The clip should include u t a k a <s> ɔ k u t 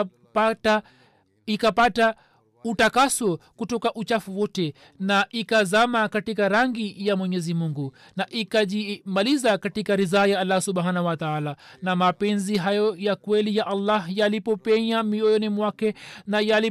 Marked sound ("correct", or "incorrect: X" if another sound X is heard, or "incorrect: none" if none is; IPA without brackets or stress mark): correct